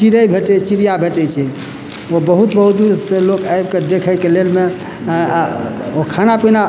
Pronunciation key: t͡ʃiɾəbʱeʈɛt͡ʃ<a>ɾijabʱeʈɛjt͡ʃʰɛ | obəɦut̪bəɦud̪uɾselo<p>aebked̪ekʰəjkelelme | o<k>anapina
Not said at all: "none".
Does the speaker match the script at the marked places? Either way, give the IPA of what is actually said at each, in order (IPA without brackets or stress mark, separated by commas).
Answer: i, k, kʰ